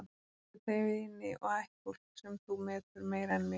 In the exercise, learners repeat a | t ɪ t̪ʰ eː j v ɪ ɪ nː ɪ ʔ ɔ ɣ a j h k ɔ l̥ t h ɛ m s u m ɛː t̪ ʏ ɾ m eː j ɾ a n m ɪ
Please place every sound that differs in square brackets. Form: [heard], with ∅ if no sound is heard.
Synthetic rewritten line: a | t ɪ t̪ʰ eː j v ɪ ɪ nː ɪ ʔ ɔ ɣ a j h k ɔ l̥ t [s] ɛ m [θ] u m ɛː t̪ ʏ ɾ m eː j ɾ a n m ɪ